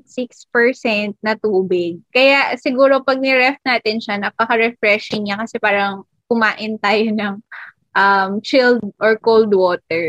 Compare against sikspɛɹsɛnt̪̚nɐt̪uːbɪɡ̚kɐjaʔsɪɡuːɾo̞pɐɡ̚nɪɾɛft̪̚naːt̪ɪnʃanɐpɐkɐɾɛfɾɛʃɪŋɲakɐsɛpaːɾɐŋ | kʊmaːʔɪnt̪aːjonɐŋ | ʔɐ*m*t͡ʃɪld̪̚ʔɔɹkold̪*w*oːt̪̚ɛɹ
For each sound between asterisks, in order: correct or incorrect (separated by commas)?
correct, correct